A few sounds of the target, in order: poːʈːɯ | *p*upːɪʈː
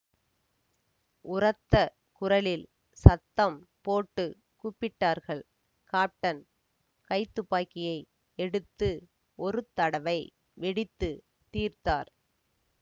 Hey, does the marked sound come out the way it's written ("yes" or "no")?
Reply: no